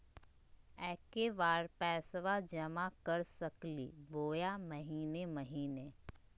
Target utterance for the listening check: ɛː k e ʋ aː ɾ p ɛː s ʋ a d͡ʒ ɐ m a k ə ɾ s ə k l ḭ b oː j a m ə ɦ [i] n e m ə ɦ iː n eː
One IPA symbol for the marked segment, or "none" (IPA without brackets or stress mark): iː